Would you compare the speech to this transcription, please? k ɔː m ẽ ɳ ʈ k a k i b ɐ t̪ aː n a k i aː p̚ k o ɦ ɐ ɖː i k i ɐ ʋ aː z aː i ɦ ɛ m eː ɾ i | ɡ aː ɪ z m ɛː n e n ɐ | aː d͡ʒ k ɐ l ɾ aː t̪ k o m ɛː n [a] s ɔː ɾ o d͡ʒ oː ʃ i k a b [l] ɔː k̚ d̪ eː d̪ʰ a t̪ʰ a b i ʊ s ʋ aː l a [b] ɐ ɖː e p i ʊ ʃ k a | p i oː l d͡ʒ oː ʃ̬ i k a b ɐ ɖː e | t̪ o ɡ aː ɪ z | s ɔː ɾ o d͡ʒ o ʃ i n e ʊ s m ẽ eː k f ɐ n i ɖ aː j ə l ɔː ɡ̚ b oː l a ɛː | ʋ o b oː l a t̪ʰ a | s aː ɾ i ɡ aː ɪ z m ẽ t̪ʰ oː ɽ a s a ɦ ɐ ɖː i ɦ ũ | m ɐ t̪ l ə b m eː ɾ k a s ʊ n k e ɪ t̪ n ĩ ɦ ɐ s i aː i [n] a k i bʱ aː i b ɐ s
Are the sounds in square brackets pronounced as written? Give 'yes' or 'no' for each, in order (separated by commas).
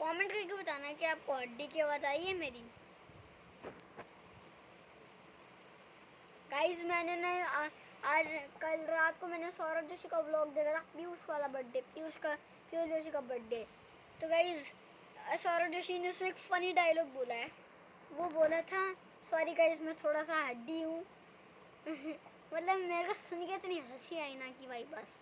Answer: no, yes, yes, yes